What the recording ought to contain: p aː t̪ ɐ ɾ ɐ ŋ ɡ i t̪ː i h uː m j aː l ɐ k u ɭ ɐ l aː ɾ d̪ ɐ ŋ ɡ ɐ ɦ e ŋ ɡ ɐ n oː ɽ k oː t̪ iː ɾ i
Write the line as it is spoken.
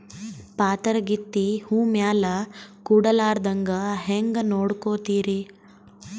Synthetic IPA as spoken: p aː t̪ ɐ ɾ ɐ ɡ i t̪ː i h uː m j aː l ɐ k u ɽ ɐ l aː ɾ d̪ ɐ ŋ ɡ ɐ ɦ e ŋ ɡ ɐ n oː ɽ k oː t̪ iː ɾ i